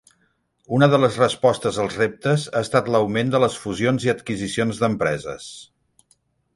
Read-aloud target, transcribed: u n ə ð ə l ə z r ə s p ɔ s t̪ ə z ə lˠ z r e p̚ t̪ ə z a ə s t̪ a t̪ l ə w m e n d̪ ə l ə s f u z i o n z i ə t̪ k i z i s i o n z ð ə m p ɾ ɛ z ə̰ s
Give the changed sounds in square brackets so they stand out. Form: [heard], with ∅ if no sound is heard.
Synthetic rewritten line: u n ə ð ə l ə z r ə s p ɔ s t̪ ə z ə lˠ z r e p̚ t̪ ə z a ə s t̪ a t̪ l ə w m e n d̪ ə l ə s f u z i o n z i ə t̪ k i z i s i o n z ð ə m p ɾ ɛ z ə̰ s